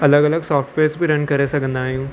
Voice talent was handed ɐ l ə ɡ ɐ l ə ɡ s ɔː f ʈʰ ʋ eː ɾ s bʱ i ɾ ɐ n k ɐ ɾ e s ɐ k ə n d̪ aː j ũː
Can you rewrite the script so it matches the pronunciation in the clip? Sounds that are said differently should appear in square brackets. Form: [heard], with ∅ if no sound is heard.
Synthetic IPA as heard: ɐ l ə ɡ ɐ l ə ɡ s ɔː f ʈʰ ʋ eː ɾ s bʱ i ɾ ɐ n k ɐ ɾ e s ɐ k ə n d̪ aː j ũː